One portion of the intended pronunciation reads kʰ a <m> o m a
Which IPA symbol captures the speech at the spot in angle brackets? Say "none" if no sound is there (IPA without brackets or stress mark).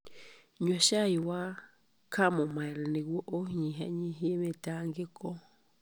m